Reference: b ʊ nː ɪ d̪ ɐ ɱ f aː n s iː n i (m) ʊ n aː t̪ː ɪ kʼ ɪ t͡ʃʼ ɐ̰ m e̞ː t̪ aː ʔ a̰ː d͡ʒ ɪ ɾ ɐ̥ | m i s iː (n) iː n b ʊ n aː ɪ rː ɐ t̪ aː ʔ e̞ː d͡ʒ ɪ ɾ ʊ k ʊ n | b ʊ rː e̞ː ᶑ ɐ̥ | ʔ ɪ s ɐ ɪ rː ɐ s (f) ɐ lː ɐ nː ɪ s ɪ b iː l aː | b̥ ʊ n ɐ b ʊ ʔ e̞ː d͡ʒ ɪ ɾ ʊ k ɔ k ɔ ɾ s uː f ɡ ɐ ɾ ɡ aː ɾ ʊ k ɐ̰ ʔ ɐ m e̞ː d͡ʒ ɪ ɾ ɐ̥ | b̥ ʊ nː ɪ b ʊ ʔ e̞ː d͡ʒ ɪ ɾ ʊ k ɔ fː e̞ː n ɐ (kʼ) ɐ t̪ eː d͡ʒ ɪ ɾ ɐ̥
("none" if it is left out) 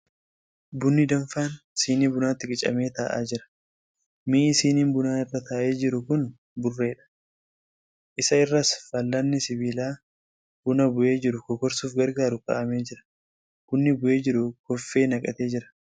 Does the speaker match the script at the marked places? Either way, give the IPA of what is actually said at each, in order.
b, n, f, kʼ

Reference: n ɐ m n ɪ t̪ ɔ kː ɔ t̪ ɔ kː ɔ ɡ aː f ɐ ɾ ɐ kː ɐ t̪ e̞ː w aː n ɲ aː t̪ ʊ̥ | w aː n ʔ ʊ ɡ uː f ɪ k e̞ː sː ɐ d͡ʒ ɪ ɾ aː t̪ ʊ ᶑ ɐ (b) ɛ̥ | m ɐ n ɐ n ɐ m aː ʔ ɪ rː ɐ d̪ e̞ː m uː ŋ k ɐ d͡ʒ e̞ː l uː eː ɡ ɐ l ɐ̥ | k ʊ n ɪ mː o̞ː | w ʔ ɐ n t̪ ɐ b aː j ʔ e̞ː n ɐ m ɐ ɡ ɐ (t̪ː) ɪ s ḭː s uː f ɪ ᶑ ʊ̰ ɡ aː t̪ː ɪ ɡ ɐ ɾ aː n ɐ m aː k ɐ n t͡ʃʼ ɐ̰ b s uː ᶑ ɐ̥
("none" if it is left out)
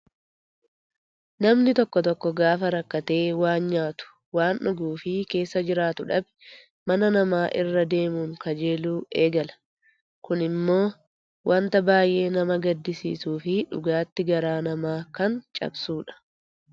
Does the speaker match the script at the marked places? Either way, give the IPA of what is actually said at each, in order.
b, d̪ː

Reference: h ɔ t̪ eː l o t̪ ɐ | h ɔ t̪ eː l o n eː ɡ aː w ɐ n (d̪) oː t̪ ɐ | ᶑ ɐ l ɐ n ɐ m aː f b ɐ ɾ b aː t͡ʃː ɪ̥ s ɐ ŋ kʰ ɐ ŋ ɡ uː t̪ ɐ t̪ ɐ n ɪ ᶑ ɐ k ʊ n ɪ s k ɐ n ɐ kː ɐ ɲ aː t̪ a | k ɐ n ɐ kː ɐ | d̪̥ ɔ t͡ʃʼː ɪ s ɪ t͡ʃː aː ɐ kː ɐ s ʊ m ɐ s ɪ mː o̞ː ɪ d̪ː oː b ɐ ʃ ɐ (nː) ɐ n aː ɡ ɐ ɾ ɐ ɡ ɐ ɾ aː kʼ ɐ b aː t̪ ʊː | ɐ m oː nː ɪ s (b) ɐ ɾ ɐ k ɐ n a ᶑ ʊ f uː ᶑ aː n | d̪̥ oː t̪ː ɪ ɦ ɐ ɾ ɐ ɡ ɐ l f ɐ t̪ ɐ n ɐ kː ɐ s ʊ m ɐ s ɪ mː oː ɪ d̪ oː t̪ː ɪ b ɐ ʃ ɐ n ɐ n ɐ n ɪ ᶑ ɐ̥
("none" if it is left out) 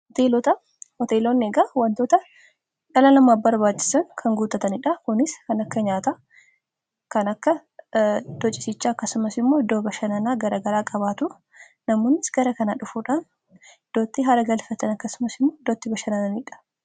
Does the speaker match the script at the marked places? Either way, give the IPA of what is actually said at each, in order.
t̪, n, ɡ

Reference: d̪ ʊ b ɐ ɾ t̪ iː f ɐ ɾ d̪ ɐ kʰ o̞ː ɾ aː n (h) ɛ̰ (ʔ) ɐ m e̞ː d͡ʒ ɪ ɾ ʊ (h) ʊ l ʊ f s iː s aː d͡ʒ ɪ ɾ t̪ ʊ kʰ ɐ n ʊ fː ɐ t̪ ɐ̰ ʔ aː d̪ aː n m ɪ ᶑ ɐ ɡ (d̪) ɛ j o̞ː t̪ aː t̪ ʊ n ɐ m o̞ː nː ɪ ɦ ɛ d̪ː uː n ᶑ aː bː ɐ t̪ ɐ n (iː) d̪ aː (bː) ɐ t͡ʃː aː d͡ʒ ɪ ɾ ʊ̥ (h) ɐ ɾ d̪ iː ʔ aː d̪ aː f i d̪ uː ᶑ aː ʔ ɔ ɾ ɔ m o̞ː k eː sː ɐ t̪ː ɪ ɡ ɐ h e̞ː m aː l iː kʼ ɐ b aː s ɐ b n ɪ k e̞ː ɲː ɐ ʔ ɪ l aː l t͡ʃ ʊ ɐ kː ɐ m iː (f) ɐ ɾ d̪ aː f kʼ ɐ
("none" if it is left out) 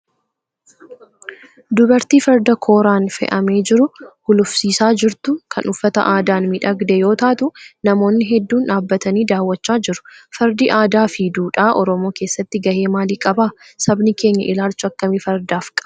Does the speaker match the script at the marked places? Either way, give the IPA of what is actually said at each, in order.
f, ʔ, h, d̪, iː, wː, f, f

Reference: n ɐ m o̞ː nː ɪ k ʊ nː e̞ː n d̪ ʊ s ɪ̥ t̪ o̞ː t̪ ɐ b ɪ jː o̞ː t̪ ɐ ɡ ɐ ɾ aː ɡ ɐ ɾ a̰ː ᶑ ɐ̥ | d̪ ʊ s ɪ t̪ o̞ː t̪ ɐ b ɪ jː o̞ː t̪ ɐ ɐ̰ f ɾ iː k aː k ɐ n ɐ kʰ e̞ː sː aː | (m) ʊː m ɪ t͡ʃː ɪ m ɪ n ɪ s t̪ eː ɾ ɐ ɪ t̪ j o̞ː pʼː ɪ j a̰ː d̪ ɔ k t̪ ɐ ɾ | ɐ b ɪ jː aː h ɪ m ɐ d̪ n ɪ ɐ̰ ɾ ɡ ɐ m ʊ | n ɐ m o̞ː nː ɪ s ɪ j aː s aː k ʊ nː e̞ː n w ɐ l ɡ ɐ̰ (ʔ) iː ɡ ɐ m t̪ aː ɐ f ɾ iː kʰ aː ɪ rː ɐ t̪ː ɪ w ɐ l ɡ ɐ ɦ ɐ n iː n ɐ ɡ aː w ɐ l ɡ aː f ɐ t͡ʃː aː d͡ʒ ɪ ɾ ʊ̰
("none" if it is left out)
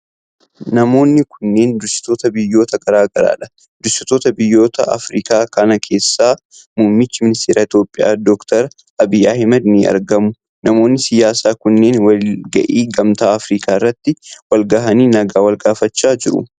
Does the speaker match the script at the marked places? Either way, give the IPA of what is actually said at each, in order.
m, ʔ

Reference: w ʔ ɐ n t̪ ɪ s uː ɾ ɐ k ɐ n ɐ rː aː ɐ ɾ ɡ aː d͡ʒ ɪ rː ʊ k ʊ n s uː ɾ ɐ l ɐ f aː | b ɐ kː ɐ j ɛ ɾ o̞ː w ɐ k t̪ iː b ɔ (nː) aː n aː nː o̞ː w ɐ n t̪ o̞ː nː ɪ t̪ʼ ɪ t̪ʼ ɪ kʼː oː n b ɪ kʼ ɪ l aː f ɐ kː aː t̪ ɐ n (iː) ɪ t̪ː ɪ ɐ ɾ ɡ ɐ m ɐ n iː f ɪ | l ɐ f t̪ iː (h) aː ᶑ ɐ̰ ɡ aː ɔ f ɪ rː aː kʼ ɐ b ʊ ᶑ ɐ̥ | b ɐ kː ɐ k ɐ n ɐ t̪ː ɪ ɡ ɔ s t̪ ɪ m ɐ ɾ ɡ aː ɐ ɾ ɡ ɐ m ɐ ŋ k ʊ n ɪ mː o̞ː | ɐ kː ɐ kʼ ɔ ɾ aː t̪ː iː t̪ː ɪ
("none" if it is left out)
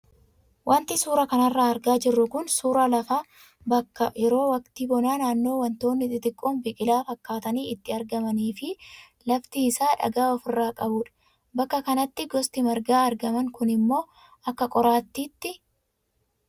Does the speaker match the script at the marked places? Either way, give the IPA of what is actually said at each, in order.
n, iː, s

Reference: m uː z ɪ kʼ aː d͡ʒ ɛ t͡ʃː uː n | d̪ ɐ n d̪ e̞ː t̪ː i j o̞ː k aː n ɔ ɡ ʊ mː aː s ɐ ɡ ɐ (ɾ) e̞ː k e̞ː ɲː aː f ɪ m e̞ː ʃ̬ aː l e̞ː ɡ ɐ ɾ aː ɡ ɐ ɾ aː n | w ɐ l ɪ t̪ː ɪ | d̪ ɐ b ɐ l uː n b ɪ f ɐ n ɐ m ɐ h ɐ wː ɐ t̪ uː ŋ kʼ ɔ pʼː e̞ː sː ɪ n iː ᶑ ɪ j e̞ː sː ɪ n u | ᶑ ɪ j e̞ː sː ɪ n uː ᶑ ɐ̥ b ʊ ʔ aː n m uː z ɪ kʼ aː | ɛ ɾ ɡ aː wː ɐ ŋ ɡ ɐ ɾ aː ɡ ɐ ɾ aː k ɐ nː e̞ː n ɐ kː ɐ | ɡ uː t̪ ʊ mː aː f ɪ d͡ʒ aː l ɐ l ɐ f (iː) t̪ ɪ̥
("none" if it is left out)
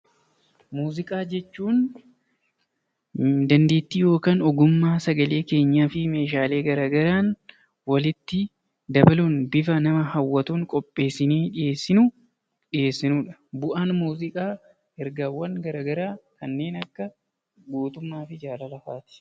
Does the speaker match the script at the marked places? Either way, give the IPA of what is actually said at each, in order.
l, aː

